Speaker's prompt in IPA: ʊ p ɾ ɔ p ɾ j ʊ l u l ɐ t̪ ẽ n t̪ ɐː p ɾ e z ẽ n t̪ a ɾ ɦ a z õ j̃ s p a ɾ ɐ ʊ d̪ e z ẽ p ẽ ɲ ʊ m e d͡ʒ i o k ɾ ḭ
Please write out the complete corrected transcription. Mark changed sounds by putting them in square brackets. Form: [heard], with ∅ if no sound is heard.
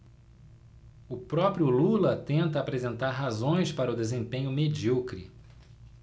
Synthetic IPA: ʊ p ɾ ɔ p ɾ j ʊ l u l ɐ t̪ ẽ n t̪ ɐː p ɾ e z ẽ n t̪ a ɾ ɦ a z õ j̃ s p a ɾ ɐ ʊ d̪ e z ẽ p ẽ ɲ ʊ m e d͡ʒ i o k ɾ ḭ

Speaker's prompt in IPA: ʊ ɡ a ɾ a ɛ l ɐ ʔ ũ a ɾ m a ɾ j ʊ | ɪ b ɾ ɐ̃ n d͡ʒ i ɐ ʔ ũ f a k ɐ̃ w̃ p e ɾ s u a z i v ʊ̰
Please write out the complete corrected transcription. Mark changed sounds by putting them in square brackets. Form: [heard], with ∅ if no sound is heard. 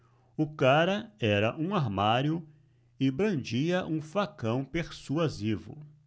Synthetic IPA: ʊ [k] a ɾ [ɐ] ɛ [ɾ] ɐ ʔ ũ a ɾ m a ɾ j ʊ | ɪ b ɾ ɐ̃ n d͡ʒ i ɐ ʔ ũ f a k ɐ̃ w̃ p e ɾ s u a z i v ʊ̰

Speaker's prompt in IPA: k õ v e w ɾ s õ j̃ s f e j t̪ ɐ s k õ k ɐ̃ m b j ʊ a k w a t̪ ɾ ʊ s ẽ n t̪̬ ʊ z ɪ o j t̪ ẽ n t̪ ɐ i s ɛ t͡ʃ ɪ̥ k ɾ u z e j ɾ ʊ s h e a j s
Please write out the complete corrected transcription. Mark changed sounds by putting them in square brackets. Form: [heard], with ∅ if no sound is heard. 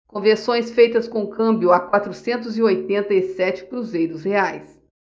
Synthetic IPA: k õ v e [∅] ɾ s õ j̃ s f e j t̪ ɐ s k õ k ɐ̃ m b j ʊ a k w a t̪ ɾ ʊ s ẽ n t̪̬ ʊ z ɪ o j t̪ ẽ n t̪ ɐ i s ɛ t͡ʃ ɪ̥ k ɾ u z e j ɾ ʊ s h e a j s

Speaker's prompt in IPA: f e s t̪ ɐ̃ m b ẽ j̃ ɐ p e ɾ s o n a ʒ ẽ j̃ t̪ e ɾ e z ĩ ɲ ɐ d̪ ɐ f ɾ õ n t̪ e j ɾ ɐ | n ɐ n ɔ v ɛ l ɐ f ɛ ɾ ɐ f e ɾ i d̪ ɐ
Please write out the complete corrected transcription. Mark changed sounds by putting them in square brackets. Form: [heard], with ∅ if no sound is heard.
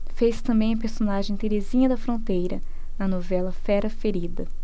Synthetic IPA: f e s t̪ ɐ̃ m b ẽ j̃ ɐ p e ɾ s o n a ʒ ẽ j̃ t̪ e ɾ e z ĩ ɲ ɐ d̪ ɐ f ɾ õ n t̪ e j ɾ ɐ | n ɐ n [o] v ɛ l ɐ f ɛ ɾ ɐ f e ɾ i d̪ ɐ

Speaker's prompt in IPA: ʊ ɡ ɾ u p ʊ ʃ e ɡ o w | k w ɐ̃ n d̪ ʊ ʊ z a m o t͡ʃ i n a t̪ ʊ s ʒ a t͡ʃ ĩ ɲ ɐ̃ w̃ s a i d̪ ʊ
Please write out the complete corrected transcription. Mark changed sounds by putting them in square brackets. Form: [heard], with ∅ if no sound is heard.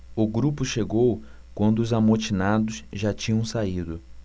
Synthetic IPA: ʊ ɡ ɾ u p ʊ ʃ e ɡ o w | k w ɐ̃ n d̪ ʊ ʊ z a m o t͡ʃ i n a [d̪] ʊ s ʒ a t͡ʃ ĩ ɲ ɐ̃ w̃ s a i d̪ ʊ

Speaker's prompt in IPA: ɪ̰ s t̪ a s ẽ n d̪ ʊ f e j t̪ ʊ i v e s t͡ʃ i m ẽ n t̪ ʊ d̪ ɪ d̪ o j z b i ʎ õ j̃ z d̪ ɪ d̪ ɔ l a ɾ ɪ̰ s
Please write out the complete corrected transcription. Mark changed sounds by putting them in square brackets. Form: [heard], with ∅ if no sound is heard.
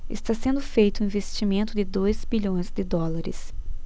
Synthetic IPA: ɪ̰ s t̪ a s ẽ n d̪ ʊ f e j t̪ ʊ [ĩ] v e s t͡ʃ i m ẽ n t̪ ʊ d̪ ɪ d̪ o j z b i ʎ õ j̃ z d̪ ɪ d̪ ɔ l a ɾ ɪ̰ s

